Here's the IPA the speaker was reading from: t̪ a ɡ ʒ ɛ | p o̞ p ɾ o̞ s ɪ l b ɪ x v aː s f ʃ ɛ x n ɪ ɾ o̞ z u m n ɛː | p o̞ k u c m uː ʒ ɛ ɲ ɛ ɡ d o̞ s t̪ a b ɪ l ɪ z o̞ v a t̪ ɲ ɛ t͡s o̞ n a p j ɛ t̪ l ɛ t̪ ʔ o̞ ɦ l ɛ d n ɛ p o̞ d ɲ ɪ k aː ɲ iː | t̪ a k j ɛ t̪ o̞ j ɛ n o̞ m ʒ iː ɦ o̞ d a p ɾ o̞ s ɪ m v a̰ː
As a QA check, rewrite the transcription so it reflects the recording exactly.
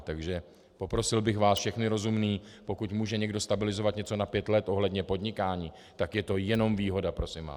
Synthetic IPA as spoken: t̪ a ɡ ʒ ɛ | p o̞ p ɾ o̞ s ɪ l b ɪ x v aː s f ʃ ɛ x n ɪ ɾ o̞ z u m n iː | p o̞ k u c m uː ʒ ɛ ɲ ɛ ɡ d o̞ s t̪ a b ɪ l ɪ z o̞ v a t̪ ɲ ɛ t͡s o̞ n a p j ɛ t̪ l ɛ t̪ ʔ o̞ ɦ l ɛ d ɲ ɛ p o̞ d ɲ ɪ k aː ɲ iː | t̪ a k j ɛ t̪ o̞ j ɛ n o̞ m v iː ɦ o̞ d a p ɾ o̞ s ɪ m v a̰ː